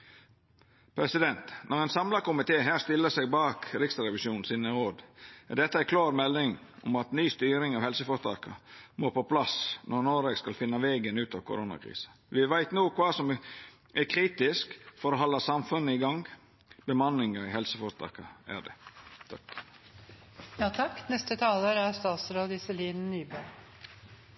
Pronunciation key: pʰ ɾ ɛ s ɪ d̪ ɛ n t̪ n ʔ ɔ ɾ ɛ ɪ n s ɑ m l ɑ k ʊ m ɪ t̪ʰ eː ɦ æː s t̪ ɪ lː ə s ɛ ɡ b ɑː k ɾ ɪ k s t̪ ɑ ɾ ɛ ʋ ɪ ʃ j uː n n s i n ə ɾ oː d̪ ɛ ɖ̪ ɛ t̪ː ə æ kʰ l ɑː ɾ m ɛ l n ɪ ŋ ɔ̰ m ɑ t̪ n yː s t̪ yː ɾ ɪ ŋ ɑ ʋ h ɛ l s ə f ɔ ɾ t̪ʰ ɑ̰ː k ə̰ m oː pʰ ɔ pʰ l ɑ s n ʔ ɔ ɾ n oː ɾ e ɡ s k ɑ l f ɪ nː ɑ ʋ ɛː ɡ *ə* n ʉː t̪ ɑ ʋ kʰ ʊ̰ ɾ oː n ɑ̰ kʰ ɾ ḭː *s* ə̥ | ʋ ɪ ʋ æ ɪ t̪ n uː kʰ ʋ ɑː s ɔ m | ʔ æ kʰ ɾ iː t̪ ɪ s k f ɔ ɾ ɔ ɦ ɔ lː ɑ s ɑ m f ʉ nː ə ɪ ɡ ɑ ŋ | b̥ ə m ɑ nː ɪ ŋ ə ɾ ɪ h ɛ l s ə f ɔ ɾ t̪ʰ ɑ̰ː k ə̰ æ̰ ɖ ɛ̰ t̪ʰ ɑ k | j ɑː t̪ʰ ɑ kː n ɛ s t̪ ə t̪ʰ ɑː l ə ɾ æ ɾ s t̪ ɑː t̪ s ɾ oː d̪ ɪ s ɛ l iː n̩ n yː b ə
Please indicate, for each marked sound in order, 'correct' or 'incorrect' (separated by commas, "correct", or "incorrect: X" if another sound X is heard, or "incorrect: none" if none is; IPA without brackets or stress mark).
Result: correct, correct